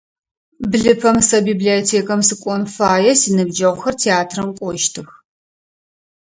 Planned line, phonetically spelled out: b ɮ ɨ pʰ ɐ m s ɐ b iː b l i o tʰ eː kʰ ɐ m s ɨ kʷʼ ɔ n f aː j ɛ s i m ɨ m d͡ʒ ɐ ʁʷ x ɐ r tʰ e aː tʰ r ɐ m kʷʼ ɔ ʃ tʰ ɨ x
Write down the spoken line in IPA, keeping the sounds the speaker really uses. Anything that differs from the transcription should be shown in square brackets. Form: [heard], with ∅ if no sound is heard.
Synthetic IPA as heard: b ɮ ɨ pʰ ɐ m s ɐ b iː b l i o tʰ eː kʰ ɐ m s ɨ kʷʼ ɔ n f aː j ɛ s i [n] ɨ [b] d͡ʒ ɐ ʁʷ x ɐ r tʰ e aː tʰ r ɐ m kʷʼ ɔ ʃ tʰ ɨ x